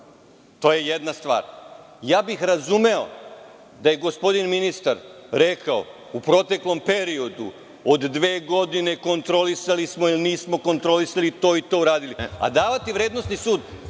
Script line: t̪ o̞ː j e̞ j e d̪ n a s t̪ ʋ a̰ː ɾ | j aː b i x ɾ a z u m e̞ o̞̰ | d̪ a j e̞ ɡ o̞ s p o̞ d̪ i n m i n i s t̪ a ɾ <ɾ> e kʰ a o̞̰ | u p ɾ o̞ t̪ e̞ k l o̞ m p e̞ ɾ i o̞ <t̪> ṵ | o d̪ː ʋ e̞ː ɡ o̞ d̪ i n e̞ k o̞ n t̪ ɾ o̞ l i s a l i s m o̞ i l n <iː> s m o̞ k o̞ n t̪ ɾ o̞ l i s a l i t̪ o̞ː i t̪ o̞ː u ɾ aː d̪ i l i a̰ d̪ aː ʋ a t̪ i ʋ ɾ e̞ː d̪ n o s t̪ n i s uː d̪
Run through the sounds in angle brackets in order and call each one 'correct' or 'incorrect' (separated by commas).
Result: correct, incorrect, correct